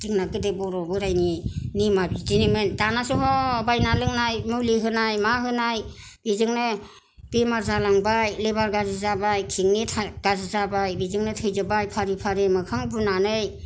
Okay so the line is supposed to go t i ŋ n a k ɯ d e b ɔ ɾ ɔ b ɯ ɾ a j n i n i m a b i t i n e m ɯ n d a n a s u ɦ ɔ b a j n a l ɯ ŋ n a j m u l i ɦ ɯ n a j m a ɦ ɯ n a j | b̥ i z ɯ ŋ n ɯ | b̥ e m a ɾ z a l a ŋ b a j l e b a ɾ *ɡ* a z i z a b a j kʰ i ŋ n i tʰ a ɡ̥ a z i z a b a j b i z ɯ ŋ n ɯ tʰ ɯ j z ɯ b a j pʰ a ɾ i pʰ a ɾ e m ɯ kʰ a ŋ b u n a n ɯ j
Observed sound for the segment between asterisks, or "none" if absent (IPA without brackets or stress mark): ɡ